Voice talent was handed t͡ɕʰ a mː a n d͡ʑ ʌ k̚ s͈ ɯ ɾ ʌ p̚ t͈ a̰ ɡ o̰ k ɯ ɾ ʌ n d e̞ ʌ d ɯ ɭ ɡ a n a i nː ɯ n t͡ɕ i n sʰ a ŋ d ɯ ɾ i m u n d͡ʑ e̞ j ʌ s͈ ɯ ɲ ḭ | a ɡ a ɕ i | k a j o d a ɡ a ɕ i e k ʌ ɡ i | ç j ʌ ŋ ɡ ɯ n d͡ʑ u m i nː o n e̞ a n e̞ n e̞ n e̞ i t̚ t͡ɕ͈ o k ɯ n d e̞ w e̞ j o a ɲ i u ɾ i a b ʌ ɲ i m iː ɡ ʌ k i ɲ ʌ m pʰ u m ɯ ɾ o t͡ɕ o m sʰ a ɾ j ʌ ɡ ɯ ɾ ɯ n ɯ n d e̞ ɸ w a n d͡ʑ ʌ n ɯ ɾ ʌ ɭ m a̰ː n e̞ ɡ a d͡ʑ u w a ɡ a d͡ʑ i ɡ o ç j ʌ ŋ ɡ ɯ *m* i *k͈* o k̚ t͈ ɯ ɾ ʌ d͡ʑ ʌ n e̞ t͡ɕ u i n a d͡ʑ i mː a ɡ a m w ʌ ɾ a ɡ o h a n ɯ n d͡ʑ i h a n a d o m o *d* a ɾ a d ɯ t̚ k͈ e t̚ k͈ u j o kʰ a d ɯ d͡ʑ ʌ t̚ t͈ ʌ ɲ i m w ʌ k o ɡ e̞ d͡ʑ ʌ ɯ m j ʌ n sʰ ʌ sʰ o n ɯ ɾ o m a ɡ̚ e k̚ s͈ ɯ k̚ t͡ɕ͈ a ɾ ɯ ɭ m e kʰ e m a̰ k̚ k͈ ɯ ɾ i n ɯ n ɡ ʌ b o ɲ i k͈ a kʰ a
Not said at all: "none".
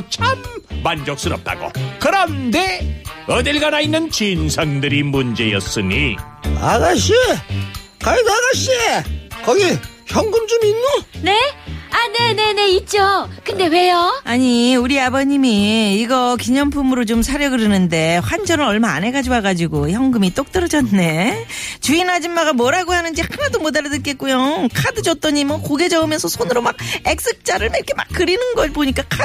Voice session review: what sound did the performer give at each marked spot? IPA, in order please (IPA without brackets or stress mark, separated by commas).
m, t͈, d